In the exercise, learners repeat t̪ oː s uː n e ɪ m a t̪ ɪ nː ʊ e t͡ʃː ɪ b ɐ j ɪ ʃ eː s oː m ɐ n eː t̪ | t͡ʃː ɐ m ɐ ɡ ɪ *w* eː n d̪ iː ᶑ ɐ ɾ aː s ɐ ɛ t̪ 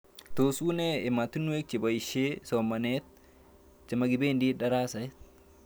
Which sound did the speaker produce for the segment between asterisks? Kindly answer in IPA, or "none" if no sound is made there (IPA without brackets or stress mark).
b